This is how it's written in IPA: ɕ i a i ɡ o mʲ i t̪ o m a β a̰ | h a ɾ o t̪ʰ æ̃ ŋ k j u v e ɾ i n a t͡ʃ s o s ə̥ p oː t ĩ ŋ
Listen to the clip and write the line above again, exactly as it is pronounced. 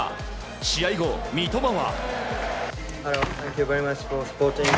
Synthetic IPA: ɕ i a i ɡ o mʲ i t̪ o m a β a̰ | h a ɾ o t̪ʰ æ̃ ŋ k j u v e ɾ i m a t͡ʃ f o s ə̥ p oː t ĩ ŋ